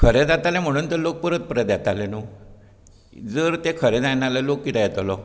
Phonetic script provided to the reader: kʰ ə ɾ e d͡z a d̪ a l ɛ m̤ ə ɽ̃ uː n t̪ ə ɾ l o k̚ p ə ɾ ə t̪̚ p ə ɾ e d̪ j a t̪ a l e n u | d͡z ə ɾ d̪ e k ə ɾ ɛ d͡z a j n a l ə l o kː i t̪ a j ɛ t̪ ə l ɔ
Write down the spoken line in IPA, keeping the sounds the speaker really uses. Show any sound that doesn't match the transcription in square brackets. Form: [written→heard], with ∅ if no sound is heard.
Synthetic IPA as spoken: kʰ ə ɾ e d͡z a [d̪→t̪] a l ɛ m̤ ə ɽ̃ uː n t̪ ə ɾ l o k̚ p ə ɾ ə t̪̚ p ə ɾ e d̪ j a t̪ a l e n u | d͡z ə ɾ [d̪→t̪] e [k→kʰ] ə ɾ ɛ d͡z a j n a l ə l o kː i t̪ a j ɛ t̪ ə l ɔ